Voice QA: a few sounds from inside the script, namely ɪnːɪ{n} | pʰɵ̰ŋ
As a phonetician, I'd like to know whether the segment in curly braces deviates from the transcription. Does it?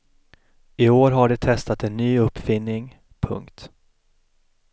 yes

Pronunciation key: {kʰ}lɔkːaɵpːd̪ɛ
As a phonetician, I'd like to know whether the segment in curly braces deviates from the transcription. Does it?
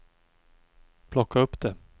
yes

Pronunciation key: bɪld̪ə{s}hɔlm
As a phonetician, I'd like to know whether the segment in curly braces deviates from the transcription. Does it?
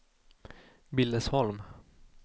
no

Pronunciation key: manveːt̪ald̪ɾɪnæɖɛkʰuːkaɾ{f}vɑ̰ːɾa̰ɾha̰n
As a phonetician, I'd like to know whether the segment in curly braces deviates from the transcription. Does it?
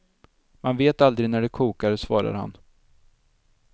yes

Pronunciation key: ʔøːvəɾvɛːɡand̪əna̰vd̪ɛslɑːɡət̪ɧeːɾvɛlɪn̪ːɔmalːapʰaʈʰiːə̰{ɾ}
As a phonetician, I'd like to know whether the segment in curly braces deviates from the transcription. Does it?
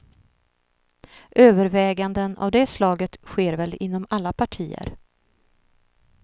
no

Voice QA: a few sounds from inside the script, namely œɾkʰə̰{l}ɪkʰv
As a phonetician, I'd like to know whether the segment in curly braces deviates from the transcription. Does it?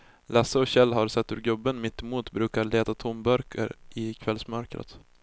yes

